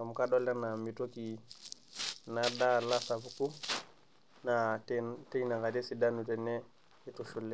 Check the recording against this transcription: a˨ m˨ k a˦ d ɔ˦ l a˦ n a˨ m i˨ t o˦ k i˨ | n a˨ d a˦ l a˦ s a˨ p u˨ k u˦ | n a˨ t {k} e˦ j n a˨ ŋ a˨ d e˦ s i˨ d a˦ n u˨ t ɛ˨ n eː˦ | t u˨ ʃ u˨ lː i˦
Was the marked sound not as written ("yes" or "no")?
yes